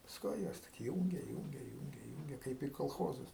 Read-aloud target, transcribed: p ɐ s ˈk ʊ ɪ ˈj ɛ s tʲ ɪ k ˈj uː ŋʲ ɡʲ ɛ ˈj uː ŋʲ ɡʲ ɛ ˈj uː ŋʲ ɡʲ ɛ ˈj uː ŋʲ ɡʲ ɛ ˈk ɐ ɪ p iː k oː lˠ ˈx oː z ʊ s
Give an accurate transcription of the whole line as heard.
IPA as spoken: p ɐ s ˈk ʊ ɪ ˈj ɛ s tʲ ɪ k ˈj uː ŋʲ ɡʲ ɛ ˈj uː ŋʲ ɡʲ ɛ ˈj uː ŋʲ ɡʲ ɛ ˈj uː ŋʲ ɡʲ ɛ ˈk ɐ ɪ p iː k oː lˠ ˈx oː z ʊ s

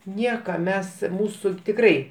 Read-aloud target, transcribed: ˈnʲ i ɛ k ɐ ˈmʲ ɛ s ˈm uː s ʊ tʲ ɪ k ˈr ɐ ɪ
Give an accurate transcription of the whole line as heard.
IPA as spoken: ˈnʲ i ɛ k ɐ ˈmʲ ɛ s ˈm uː s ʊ tʲ ɪ k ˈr ɐ ɪ

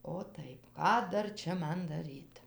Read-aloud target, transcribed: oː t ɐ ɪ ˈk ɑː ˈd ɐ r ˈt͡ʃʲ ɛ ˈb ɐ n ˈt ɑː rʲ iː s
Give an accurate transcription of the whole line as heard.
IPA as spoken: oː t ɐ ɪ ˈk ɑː ˈd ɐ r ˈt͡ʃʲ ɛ ˈm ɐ n ˈd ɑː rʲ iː t

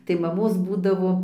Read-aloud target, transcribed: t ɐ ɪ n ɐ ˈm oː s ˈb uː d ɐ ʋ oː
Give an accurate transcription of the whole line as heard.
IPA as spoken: t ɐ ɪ m ɐ ˈm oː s ˈb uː d ɐ ʋ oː

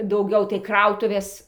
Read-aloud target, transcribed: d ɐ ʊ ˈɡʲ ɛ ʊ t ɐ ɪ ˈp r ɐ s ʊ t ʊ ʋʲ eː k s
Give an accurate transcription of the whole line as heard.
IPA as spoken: d ɐ ʊ ˈɡʲ ɛ ʊ t ɐ ɪ ˈk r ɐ ʊ t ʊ ʋʲ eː s

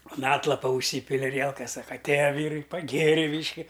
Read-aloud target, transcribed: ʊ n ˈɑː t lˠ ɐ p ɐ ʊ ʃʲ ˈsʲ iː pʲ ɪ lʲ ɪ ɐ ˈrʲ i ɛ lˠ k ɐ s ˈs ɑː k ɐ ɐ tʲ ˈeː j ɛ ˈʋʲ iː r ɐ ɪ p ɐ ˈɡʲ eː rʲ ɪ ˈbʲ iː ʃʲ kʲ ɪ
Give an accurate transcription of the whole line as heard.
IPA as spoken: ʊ n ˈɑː t lˠ ɐ p ɐ ʊ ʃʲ ˈsʲ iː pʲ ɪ lʲ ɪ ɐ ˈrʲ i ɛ lˠ k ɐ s ˈs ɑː k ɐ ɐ tʲ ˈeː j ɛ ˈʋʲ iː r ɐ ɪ p ɐ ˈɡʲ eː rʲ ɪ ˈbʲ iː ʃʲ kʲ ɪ

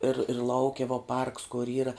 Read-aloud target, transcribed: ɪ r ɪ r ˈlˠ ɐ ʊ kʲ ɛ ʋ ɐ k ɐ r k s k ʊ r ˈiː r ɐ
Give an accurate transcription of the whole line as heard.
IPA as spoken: ɪ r ɪ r ˈlˠ ɐ ʊ kʲ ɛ ʋ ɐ p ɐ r k s k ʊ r ˈiː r ɐ

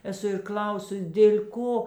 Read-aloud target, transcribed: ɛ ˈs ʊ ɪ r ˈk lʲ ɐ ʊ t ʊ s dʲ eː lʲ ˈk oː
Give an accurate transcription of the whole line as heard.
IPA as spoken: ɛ ˈs ʊ ɪ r ˈk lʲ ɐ ʊ s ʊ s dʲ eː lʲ ˈk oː

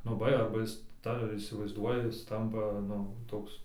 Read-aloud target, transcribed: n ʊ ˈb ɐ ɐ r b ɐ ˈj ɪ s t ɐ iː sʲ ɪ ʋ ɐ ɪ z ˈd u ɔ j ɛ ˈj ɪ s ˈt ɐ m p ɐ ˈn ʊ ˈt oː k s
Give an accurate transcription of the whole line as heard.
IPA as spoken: n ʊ ˈb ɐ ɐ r b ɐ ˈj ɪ s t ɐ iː sʲ ɪ ʋ ɐ ɪ z ˈd u ɔ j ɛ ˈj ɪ s ˈt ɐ m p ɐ ˈn ʊ ˈt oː k s

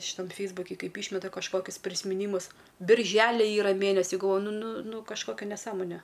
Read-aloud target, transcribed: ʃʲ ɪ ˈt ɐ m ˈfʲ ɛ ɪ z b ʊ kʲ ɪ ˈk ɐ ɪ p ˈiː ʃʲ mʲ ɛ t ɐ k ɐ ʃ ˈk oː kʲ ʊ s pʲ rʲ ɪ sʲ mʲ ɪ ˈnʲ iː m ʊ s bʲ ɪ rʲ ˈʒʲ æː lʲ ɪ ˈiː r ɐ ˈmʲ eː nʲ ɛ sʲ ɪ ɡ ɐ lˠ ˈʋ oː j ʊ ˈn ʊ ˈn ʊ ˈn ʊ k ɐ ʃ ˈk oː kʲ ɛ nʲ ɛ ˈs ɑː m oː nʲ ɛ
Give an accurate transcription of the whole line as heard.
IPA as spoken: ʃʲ ɪ ˈt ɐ m ˈfʲ ɛ ɪ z b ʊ kʲ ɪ ˈk ɐ ɪ p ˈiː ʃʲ mʲ ɛ t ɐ k ɐ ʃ ˈk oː kʲ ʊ s pʲ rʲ ɪ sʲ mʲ ɪ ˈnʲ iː m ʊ s bʲ ɪ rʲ ˈʒʲ æː lʲ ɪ ˈiː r ɐ ˈmʲ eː nʲ ɛ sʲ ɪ ɡ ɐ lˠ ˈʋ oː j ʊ ˈn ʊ ˈn ʊ ˈn ʊ k ɐ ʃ ˈk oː kʲ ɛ nʲ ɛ ˈs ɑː m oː nʲ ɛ

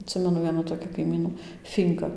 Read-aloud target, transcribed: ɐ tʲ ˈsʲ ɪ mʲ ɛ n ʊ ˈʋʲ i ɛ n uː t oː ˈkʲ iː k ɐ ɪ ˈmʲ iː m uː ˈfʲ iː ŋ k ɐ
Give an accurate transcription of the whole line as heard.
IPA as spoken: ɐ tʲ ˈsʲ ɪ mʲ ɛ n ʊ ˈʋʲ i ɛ n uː t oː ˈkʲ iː k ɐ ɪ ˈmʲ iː n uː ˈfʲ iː ŋ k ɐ

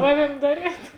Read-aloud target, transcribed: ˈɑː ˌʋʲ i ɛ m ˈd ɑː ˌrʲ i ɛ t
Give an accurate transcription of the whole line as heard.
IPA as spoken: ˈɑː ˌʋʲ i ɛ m ˈd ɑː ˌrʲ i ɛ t

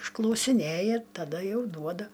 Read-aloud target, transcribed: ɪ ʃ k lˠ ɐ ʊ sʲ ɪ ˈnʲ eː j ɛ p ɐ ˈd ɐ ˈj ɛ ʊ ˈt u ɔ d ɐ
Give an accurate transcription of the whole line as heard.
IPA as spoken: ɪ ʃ k lˠ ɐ ʊ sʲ ɪ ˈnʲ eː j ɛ t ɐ ˈd ɐ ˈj ɛ ʊ ˈd u ɔ d ɐ

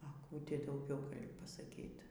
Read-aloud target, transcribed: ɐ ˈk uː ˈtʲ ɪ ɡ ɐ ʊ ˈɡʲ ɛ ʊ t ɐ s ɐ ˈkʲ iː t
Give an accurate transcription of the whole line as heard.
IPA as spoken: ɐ ˈk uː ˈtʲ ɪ d ɐ ʊ ˈɡʲ ɛ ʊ p ɐ s ɐ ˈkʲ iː t

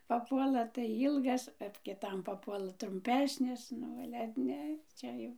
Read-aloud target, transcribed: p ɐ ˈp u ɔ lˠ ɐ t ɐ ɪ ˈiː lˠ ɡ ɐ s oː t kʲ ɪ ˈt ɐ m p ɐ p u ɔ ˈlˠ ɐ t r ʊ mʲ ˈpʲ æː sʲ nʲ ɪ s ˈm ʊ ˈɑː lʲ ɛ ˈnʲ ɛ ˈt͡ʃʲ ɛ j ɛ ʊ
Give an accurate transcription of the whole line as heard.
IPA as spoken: p ɐ ˈp u ɔ lˠ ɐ t ɐ ɪ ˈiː lˠ ɡ ɐ s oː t kʲ ɪ ˈt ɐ m p ɐ p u ɔ ˈlˠ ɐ t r ʊ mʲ ˈpʲ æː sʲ nʲ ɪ s ˈn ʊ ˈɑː lʲ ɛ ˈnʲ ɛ ˈt͡ʃʲ ɛ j ɛ ʊ

